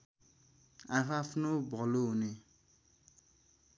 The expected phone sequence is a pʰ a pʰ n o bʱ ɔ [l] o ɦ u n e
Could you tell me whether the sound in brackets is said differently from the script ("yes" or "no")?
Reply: no